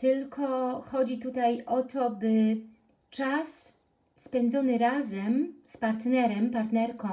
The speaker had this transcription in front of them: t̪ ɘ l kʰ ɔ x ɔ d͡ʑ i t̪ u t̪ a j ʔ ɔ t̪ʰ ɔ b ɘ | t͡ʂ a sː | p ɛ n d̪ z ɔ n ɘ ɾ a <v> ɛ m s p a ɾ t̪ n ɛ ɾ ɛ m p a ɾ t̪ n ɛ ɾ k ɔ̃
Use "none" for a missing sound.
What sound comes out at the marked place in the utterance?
z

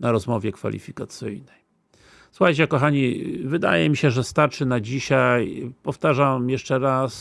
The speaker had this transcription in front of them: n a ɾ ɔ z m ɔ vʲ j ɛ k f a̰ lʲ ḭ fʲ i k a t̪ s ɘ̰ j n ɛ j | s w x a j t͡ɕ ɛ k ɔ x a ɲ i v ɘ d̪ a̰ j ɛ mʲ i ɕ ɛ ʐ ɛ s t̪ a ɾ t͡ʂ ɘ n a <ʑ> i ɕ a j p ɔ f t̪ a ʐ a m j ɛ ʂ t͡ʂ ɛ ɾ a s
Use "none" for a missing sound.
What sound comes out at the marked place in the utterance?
d͡ʑ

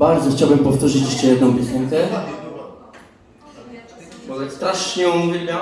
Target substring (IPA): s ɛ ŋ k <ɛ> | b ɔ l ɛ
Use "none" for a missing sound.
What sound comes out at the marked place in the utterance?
ɛ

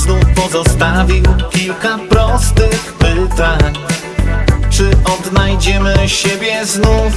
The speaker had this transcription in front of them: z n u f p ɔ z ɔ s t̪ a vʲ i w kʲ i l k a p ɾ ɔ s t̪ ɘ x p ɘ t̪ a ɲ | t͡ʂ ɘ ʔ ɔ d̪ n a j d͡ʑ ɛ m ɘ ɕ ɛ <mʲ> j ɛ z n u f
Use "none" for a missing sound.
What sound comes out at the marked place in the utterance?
bʲ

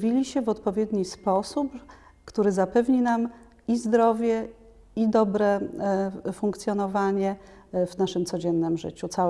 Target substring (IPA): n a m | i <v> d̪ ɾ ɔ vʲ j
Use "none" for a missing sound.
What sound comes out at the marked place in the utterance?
z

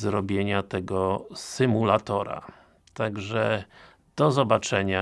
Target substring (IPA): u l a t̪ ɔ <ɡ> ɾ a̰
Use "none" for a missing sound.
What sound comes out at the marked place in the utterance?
none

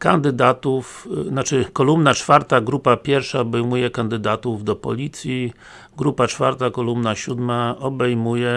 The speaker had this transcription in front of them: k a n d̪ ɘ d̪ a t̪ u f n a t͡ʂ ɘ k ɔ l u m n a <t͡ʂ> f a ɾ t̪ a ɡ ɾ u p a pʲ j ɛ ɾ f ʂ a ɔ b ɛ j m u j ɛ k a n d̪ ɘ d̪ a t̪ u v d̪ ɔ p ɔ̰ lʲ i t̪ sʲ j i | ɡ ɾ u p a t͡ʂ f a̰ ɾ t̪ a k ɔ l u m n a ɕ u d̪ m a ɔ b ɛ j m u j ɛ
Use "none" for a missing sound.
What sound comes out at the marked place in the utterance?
t͡ʂ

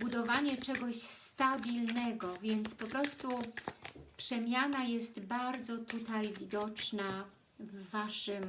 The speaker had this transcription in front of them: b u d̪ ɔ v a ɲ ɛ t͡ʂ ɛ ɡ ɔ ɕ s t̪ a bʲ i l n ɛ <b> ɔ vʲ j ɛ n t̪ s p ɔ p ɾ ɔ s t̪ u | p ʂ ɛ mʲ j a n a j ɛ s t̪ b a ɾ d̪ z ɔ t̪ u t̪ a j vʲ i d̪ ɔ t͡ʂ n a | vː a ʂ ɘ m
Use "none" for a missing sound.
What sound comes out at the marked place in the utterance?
ɡ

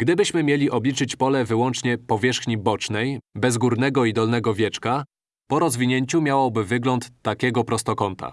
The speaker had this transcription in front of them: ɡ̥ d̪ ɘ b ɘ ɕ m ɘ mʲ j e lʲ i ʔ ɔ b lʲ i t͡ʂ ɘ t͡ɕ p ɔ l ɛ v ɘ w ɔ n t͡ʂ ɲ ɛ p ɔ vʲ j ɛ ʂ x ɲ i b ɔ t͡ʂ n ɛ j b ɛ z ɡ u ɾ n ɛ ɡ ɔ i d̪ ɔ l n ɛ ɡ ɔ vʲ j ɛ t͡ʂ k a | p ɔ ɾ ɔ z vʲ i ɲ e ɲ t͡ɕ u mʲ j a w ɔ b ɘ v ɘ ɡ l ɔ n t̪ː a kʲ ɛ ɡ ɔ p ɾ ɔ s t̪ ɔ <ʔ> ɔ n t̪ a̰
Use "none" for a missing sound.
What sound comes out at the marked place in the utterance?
k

